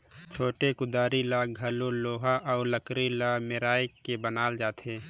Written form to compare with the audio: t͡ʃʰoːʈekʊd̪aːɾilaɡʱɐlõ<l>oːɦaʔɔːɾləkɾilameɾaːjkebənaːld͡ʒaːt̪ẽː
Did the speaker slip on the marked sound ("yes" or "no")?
no